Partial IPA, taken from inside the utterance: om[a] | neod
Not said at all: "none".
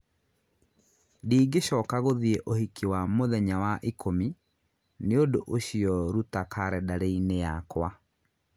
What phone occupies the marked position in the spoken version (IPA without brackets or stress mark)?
i